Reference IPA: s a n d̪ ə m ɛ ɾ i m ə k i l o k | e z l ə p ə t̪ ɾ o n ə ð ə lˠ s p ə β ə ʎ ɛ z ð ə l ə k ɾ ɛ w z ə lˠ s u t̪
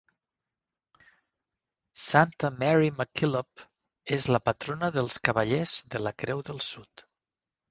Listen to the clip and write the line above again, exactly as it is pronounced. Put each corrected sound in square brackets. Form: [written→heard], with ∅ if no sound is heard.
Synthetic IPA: s a n [d̪→t̪] ə m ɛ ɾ i m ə k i l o [k→p] | e z l ə p ə t̪ ɾ o n ə ð ə lˠ s [p→k] ə β ə ʎ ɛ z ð ə l ə k ɾ ɛ w [z→ð] ə lˠ s u t̪